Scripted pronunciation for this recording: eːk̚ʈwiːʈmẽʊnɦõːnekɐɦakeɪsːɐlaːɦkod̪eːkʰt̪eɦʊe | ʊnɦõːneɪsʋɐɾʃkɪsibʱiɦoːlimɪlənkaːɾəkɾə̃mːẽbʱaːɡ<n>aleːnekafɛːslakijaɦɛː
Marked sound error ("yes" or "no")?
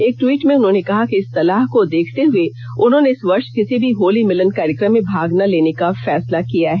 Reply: no